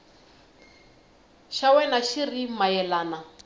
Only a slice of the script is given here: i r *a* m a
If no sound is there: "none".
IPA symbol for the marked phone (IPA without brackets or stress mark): i